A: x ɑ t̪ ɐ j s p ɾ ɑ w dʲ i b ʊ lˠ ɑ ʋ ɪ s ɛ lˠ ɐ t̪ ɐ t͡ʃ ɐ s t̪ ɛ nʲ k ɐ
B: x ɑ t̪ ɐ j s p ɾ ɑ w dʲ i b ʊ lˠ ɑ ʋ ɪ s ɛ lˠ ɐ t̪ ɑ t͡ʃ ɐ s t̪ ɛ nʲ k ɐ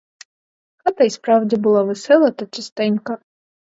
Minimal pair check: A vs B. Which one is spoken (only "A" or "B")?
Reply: A